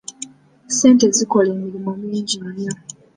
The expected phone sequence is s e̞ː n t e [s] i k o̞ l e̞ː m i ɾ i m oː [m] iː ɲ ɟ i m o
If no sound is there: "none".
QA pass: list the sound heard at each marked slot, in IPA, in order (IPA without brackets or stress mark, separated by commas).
z, m